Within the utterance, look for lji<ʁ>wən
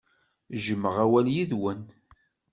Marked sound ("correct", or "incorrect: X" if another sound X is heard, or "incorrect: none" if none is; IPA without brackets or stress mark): incorrect: ð